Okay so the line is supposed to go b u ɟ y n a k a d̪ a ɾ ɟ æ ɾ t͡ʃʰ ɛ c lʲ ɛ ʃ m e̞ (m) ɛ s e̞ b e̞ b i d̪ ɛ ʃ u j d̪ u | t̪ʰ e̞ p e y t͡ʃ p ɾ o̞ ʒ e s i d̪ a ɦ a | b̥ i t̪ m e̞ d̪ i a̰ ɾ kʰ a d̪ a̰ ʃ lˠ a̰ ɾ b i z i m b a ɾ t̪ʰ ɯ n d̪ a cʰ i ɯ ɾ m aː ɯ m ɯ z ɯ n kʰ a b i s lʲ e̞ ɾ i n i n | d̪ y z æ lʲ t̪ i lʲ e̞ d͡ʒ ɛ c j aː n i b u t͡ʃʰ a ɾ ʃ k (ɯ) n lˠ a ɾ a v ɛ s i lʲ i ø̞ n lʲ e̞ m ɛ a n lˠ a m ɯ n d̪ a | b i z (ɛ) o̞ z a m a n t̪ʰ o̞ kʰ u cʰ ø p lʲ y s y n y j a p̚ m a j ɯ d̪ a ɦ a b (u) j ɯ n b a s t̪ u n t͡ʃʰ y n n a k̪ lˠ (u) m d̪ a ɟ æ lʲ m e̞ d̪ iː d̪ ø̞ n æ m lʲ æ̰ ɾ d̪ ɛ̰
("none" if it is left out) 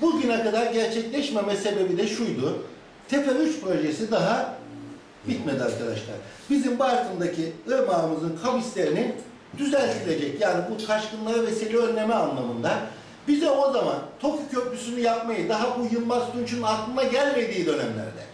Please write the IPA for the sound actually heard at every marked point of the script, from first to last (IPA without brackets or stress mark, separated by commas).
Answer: m, ɯ, ɛ, u, ɯ